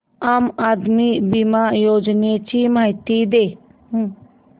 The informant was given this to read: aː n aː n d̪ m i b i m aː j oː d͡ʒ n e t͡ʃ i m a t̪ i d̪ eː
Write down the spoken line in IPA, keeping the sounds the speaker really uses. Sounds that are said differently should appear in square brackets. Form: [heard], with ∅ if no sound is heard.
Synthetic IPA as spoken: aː [m] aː [∅] d̪ m i b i m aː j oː d͡ʒ n e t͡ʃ i m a t̪ i d̪ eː